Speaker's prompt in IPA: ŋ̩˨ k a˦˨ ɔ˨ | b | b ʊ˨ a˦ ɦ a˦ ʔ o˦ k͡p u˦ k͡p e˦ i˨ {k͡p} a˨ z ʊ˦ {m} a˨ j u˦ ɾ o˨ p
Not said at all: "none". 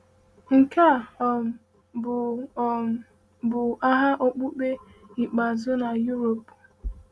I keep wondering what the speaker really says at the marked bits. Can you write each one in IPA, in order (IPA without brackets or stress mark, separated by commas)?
k͡p, n